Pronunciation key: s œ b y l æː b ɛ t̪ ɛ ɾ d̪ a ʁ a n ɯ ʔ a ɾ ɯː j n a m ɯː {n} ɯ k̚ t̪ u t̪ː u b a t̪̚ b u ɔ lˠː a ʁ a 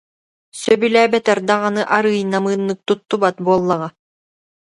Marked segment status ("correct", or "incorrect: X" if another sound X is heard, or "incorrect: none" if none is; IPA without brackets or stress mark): incorrect: nː